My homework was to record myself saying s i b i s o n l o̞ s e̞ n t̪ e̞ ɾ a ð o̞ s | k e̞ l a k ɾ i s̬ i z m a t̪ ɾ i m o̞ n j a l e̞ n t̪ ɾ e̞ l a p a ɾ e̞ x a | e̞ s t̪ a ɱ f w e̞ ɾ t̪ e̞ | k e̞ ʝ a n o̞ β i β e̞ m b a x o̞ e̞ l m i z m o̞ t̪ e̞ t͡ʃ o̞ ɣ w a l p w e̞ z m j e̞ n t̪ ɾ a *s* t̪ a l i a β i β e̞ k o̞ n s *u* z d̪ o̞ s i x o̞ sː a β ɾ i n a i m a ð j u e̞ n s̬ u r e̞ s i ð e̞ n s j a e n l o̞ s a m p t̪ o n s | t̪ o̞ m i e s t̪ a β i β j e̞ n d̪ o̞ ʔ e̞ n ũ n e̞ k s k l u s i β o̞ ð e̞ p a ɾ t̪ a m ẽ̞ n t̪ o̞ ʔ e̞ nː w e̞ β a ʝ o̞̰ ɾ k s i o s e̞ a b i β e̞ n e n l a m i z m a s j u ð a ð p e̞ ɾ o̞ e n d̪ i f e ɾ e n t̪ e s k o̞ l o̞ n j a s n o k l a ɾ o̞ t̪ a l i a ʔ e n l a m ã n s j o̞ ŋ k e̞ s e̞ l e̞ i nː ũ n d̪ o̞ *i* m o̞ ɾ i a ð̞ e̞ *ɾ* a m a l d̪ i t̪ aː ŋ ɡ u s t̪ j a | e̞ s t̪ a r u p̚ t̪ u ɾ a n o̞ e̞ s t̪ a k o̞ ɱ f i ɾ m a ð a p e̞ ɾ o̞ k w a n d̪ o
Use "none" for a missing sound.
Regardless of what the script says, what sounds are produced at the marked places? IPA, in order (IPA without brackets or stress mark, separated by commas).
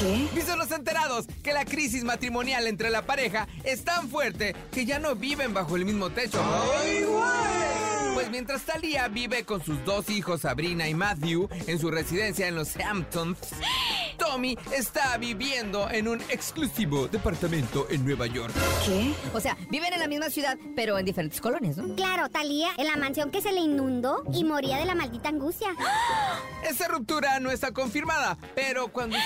s, u, i, l